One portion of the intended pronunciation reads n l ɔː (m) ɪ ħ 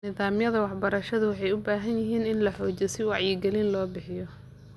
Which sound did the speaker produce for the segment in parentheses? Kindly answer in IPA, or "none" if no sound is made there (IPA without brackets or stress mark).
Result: b